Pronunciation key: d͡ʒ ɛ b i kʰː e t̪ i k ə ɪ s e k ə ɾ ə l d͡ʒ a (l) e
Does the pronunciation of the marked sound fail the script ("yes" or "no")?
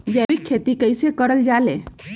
no